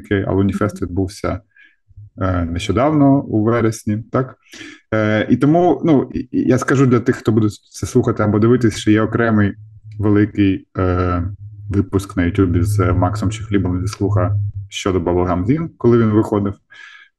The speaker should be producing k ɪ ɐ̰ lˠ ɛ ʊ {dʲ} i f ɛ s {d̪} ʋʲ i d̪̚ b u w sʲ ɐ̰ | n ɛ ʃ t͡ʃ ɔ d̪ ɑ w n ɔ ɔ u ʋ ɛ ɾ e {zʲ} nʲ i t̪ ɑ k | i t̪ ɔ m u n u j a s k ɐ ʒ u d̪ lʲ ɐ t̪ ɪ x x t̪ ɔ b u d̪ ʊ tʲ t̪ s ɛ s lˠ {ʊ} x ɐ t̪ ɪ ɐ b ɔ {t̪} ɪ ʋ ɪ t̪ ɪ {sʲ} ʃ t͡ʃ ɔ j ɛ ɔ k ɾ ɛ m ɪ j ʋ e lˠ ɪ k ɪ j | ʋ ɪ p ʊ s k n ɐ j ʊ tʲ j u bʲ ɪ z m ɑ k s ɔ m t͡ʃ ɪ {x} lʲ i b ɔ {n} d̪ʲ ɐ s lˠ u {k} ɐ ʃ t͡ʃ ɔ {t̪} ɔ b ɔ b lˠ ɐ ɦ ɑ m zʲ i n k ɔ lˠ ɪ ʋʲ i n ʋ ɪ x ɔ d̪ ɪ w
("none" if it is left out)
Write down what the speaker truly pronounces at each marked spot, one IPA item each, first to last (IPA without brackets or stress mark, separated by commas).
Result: nʲ, t̪, sʲ, u, d̪, sʲ, x, m, x, d̪